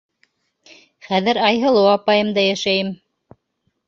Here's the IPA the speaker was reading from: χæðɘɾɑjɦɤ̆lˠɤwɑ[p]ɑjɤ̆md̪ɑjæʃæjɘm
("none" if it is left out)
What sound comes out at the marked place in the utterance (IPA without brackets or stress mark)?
p